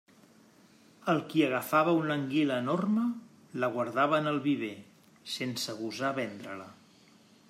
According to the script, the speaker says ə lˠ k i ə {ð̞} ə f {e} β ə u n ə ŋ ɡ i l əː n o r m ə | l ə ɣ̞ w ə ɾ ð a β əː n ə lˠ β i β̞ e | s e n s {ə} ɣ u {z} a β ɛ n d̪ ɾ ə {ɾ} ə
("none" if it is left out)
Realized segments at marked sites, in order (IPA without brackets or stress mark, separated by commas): ɣ̞, a, ə, z, l